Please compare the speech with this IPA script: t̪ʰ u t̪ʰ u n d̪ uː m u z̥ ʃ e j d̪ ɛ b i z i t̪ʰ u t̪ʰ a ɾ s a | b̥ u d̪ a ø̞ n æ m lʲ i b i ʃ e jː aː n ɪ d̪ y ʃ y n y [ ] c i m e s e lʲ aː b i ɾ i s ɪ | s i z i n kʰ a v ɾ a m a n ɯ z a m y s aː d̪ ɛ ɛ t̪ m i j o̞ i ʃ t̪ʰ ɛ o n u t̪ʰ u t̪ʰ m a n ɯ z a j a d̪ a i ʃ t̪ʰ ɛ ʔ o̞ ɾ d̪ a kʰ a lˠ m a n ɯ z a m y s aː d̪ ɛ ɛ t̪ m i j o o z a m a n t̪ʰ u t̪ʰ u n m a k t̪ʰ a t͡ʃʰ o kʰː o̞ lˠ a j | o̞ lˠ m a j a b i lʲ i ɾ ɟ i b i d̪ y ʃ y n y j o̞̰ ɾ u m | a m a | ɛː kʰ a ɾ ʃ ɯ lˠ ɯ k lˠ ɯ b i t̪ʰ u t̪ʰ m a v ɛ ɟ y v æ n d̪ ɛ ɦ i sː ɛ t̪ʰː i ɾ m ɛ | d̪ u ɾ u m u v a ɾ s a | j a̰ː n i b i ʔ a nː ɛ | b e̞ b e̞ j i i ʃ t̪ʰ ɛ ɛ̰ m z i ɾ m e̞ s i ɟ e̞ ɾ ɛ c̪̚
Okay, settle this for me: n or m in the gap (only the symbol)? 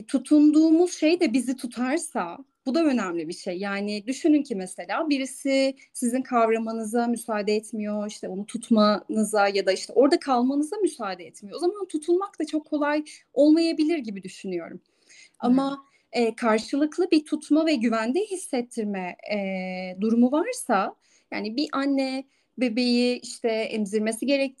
n